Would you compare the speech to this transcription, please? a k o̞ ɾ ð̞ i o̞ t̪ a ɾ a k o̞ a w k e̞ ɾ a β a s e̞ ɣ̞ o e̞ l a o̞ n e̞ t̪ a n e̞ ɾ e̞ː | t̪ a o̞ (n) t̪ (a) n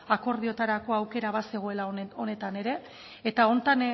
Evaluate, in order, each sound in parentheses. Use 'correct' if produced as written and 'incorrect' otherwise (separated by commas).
correct, correct